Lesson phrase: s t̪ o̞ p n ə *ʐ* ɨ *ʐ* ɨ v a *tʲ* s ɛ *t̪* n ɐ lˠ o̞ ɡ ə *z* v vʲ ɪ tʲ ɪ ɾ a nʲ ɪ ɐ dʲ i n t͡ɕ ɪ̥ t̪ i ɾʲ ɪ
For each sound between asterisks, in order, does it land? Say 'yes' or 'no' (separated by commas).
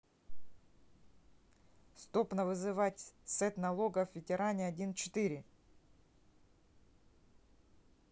no, no, yes, yes, no